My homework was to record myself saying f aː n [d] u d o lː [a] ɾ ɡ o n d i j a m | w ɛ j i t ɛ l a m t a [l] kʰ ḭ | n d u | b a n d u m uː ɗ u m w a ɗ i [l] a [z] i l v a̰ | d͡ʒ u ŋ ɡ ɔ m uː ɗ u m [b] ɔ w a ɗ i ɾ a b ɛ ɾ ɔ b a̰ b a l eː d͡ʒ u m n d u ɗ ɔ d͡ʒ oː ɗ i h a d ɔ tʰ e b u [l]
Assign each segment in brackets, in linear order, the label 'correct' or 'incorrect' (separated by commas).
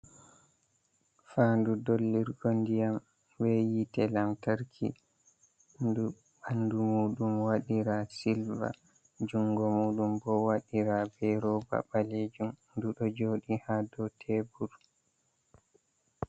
correct, incorrect, incorrect, incorrect, incorrect, correct, incorrect